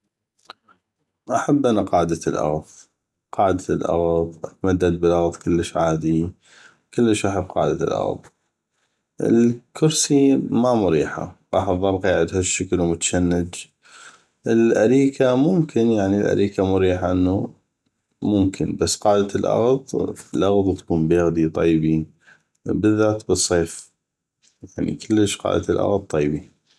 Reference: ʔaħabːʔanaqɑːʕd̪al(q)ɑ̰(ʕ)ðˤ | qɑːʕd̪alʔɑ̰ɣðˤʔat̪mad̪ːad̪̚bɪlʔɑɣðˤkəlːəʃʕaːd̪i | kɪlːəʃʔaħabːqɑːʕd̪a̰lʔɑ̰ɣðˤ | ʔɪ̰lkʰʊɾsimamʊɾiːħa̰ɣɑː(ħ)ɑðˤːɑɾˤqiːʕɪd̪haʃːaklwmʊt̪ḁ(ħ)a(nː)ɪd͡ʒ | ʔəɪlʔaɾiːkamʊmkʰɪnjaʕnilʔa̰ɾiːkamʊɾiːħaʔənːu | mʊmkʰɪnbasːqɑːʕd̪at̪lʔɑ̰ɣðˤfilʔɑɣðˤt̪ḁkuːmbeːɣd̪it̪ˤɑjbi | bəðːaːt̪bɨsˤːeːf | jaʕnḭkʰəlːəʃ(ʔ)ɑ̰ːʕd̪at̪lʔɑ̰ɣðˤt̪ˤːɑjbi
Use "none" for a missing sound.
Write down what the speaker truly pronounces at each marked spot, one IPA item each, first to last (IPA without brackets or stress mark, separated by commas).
ʔ, ɣ, ħ, ʃ, nː, q